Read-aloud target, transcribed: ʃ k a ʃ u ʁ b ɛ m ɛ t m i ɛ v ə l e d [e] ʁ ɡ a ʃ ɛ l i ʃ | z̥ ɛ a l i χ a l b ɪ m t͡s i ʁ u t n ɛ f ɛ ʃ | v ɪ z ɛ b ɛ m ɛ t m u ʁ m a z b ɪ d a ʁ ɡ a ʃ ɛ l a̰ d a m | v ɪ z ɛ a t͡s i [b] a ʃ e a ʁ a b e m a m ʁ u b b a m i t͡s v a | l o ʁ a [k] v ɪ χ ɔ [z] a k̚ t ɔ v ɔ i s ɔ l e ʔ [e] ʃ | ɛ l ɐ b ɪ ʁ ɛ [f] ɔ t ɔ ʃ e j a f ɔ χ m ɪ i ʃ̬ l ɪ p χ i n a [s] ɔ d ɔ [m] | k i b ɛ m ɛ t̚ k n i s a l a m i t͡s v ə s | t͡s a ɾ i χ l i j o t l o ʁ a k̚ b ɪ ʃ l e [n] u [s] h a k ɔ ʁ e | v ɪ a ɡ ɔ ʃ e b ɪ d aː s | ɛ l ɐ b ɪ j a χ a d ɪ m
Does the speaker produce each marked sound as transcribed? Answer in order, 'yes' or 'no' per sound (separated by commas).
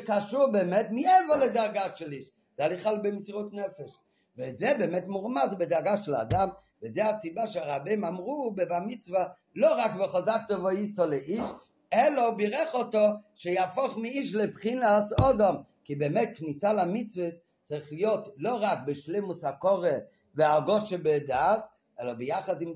no, yes, yes, yes, no, no, yes, yes, no, yes